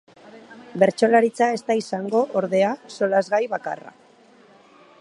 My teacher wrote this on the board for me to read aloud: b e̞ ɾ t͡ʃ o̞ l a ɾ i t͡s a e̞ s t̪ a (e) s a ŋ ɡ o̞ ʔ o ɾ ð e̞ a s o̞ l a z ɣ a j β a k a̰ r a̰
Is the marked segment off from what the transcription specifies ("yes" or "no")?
yes